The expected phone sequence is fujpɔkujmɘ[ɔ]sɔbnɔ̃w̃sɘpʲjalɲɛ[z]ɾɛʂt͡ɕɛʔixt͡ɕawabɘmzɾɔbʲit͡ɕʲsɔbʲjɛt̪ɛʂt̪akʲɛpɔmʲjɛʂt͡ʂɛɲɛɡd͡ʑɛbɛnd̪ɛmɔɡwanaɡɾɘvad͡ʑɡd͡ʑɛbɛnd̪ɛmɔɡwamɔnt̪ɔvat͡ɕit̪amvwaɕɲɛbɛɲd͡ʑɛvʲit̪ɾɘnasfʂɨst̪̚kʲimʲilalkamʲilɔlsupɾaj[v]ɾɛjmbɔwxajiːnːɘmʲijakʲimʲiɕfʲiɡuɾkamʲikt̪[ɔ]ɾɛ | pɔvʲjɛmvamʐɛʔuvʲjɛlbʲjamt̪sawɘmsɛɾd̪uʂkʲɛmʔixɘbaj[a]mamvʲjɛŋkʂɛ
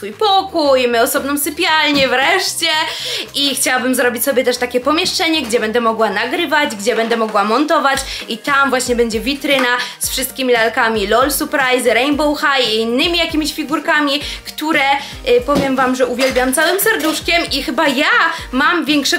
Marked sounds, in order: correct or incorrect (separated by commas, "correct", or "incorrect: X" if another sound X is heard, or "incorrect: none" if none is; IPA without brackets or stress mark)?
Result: correct, incorrect: v, incorrect: z, incorrect: u, correct